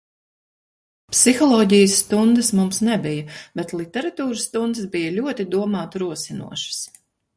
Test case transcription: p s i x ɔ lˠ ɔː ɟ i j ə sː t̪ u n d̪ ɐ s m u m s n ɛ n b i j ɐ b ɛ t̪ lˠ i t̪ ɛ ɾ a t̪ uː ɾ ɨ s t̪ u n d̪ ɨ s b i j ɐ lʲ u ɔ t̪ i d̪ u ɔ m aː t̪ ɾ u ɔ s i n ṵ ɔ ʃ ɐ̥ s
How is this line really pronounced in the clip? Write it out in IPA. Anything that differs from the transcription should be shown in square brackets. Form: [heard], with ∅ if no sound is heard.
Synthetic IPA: p s i x ɔ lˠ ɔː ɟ i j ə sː t̪ u n d̪ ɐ s m u m s n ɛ [∅] b i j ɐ b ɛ t̪ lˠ i t̪ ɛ ɾ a t̪ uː ɾ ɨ s t̪ u n d̪ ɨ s b i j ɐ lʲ u ɔ t̪ i d̪ u ɔ m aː t̪ ɾ u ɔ s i n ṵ ɔ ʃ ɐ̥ s